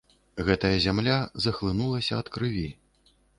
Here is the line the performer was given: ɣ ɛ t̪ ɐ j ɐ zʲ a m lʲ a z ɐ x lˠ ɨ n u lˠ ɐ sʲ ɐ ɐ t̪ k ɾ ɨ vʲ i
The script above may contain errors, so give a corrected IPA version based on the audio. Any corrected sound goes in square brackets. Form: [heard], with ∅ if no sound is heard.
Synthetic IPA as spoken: ɣ ɛ t̪ ɐ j ɐ zʲ a m lʲ a z ɐ x lˠ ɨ n u lˠ ɐ sʲ ɐ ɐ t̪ k ɾ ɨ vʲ i